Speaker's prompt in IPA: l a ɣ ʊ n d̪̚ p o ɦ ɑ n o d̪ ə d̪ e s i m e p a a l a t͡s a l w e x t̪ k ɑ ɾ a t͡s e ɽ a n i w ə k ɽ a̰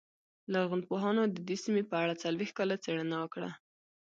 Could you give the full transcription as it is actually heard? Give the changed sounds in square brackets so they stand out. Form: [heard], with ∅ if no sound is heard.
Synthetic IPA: l a ɣ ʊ n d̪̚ p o ɦ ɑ n o d̪ ə d̪ e s i m e p [ə] a [ɽ] a t͡s a l w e x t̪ k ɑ [l] a t͡s e ɽ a n [a] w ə k ɽ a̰